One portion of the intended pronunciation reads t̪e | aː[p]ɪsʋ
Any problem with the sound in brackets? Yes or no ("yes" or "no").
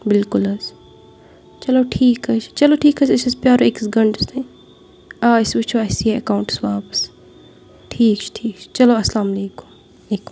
yes